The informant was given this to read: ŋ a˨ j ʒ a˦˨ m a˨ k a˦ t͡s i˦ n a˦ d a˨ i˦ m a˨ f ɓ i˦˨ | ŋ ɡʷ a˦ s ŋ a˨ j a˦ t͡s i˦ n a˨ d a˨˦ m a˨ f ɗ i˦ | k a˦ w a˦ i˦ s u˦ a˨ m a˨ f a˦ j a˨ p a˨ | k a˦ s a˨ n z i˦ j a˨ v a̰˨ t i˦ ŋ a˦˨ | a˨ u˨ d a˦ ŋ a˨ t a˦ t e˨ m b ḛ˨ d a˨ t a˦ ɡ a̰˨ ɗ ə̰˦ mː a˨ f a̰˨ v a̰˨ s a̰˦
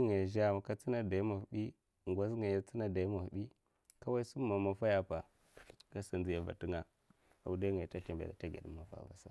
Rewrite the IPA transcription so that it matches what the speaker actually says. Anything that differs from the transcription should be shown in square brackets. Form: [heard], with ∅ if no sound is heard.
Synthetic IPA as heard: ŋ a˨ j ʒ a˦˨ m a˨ k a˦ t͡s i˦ n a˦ d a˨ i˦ m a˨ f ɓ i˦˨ | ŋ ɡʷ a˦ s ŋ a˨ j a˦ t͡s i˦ n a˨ d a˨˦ m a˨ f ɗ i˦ | k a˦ w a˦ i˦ s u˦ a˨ m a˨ f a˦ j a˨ p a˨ | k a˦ s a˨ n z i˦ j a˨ v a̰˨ t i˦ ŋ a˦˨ | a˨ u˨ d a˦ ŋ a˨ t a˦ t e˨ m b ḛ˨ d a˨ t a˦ ɡ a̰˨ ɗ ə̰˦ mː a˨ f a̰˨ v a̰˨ s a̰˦